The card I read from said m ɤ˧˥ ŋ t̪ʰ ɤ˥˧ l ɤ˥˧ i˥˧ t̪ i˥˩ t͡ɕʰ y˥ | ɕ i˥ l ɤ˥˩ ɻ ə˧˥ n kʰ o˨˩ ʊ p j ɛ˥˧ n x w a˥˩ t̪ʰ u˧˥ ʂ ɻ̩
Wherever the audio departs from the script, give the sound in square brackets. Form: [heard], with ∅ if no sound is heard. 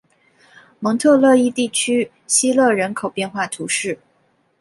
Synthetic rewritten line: m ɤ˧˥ ŋ t̪ʰ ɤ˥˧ l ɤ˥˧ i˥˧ t̪ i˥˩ t͡ɕʰ y˥ | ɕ i˥ l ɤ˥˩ ɻ ə˧˥ n kʰ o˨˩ ʊ p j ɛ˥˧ n x w a˥˩ t̪ʰ u˧˥ ʂ ɻ̩